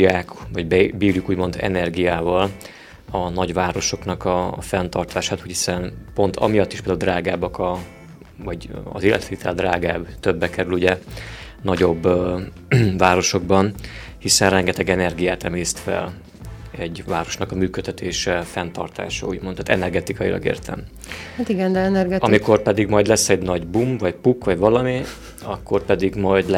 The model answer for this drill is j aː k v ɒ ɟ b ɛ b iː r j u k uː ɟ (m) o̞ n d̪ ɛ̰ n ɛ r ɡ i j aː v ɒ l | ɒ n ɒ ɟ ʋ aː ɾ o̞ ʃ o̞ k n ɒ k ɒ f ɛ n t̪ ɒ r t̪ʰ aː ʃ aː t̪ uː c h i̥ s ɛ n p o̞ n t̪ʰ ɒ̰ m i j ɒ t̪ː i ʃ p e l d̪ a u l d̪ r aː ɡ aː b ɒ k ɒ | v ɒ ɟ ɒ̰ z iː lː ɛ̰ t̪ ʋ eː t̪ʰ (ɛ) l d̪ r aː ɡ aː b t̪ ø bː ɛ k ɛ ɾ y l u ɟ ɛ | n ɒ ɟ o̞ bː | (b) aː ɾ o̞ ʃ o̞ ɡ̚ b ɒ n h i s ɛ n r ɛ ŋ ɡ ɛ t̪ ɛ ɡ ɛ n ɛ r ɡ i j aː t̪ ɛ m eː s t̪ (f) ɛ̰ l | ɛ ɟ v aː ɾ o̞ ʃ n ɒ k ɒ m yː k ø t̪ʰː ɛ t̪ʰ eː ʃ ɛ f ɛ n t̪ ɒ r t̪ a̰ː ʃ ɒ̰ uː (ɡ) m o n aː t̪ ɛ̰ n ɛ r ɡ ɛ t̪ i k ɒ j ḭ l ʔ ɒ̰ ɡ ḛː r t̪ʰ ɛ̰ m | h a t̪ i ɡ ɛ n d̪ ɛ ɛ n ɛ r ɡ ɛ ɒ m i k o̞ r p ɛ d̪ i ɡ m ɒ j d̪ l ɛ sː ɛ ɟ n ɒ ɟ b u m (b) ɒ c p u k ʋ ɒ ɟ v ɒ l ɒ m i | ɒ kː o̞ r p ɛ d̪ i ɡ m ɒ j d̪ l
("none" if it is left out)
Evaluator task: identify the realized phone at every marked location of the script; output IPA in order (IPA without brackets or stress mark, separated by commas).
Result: m, ɛ, v, f, ɟ, v